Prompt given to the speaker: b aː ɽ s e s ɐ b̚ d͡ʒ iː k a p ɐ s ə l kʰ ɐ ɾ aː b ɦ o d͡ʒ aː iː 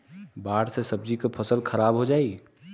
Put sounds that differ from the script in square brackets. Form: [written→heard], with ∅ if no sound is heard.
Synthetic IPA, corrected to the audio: b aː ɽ s e s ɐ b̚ d͡ʒ [iː→i] k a [p→pʰ] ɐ s ə l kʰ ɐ ɾ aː b ɦ o d͡ʒ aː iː